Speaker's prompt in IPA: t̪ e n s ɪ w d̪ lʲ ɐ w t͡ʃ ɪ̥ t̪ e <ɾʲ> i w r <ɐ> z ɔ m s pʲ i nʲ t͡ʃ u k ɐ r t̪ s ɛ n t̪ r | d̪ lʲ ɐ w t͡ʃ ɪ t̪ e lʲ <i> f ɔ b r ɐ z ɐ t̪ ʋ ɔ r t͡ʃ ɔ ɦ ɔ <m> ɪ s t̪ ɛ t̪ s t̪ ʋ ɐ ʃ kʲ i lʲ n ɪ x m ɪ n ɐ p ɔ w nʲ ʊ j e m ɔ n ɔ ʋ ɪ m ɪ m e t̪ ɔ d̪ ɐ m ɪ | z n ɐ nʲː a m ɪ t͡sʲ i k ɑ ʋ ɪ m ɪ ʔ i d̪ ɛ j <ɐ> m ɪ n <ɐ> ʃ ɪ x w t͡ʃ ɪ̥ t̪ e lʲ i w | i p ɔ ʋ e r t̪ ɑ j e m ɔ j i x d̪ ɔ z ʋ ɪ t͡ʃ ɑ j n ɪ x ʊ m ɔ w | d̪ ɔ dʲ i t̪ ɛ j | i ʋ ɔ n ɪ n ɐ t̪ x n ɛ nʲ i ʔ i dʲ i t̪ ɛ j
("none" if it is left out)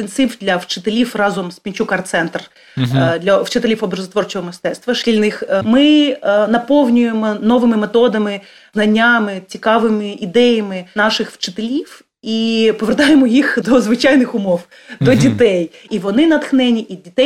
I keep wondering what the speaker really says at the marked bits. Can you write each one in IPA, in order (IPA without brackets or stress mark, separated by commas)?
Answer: lʲ, ɑ, i, m, ɐ, ɑ